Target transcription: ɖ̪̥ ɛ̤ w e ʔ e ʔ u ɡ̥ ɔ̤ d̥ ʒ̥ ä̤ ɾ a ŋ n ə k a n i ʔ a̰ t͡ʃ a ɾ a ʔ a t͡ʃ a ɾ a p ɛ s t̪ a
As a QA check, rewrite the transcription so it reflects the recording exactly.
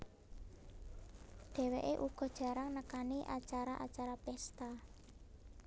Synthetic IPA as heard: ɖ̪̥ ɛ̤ w e ʔ e ʔ u ɡ̥ ɔ̤ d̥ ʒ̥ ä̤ ɾ a ŋ n ə k a n i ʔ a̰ t͡ʃ a ɾ a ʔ a t͡ʃ a ɾ a p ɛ s t̪ a